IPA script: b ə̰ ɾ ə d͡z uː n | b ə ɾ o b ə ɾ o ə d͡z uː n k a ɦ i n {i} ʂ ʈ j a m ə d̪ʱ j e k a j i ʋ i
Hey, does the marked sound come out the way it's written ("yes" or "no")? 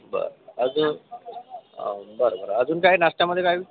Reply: no